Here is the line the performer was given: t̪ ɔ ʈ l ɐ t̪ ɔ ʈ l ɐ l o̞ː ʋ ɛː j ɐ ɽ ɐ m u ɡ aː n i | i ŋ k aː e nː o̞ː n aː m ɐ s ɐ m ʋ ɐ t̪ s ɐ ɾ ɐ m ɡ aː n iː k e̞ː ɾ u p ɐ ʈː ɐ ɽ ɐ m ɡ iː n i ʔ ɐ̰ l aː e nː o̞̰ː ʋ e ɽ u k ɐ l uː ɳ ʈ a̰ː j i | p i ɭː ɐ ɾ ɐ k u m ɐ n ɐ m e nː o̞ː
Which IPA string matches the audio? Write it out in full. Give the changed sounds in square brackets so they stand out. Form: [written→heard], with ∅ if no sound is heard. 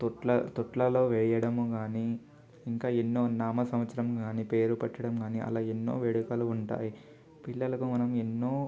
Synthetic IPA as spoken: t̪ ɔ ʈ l ɐ t̪ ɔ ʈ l ɐ l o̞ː ʋ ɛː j ɐ ɽ ɐ m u ɡ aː n i | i ŋ k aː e nː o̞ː n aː m ɐ s ɐ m ʋ ɐ t̪ s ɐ ɾ ɐ m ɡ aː n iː [k→p] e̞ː ɾ u p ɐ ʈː ɐ ɽ ɐ m ɡ [iː→aː] n i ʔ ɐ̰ l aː e nː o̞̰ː ʋ e ɽ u k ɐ l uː ɳ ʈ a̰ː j i | p i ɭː ɐ [ɾ→l] ɐ k u m ɐ n ɐ m e nː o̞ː